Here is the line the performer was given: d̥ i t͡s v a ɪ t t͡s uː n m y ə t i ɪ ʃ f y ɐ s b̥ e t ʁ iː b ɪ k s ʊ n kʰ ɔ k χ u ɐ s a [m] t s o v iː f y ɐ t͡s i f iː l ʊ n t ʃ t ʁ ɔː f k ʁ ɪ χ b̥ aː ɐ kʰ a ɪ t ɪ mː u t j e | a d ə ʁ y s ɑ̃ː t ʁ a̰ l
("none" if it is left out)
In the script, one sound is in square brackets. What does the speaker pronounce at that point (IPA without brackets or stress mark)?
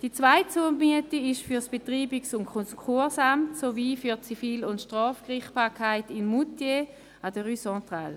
m